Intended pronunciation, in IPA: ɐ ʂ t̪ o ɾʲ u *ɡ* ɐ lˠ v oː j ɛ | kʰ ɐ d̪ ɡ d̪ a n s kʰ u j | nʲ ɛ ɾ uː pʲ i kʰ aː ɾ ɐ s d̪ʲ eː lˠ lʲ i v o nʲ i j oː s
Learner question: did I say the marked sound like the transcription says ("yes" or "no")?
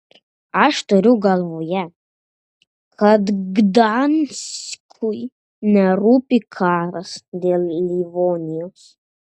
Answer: yes